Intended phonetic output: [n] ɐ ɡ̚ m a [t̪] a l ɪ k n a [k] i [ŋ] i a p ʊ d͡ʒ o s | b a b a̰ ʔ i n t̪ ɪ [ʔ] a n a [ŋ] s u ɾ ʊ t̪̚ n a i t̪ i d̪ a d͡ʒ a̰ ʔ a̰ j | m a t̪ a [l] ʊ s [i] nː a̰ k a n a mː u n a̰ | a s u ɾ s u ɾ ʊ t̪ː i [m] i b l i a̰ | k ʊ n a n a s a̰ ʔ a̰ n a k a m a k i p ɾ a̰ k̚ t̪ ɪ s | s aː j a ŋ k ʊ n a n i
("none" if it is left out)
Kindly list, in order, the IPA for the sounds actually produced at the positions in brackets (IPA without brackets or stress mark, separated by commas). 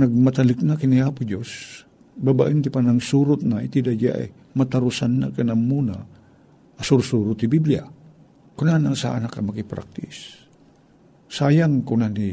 n, t̪, k, n, p, ŋ, ɾ, a, b